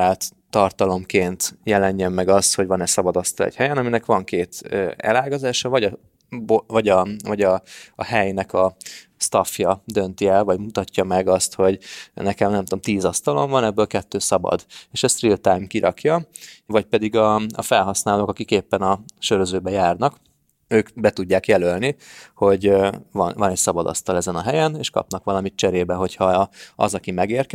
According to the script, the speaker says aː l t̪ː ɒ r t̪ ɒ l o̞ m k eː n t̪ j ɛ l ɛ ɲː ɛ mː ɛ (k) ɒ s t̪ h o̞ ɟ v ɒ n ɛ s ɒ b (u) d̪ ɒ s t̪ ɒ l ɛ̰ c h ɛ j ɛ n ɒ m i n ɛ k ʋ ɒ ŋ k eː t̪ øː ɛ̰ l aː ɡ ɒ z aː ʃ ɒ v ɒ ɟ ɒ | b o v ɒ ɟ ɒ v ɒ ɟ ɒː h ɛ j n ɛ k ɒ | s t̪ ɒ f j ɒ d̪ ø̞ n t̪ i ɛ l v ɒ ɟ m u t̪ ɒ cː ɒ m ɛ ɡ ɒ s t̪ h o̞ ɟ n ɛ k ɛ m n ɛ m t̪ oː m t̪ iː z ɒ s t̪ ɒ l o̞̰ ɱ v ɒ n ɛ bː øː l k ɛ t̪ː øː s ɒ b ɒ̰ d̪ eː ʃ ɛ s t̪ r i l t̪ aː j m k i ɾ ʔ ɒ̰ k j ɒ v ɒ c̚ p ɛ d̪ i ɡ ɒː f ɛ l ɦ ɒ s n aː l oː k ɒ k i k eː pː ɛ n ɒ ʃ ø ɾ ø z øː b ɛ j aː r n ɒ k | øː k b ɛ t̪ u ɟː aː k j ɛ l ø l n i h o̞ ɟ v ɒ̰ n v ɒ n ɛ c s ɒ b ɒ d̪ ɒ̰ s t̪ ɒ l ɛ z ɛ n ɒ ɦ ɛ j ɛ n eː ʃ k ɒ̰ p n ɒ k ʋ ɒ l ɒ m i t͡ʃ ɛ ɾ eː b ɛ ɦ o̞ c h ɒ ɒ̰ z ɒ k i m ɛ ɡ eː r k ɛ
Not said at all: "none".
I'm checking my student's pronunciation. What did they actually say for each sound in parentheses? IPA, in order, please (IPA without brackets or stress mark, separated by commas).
ɡ, ɒ